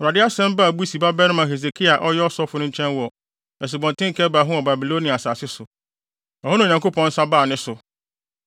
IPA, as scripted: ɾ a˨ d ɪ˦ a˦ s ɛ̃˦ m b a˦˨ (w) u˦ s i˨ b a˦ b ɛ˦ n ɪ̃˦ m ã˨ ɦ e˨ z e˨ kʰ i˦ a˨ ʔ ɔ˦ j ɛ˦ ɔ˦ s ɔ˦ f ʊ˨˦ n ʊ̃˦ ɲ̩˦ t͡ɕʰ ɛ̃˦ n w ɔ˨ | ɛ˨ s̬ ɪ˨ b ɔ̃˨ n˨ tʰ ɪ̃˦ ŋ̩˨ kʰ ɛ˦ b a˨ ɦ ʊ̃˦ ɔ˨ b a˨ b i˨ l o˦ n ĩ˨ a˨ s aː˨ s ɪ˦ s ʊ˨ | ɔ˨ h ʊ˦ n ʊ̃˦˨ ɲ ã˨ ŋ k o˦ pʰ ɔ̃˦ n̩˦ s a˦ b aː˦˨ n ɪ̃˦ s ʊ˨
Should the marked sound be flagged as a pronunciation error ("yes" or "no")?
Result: yes